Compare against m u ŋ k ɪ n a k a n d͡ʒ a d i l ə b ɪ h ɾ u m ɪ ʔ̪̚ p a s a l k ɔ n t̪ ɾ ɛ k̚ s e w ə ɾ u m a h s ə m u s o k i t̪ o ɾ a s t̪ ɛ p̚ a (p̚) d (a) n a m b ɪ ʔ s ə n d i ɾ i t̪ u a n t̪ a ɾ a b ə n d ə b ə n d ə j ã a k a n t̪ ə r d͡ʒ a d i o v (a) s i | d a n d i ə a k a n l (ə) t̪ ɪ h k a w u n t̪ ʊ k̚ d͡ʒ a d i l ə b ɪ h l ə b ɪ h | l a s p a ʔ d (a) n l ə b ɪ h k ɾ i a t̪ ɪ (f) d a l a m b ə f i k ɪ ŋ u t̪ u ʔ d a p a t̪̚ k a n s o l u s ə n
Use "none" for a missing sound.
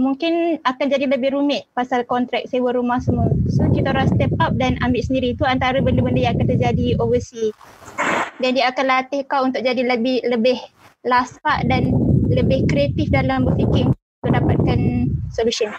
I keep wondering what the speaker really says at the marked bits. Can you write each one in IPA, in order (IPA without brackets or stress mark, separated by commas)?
p̚, a, ə, a, a, f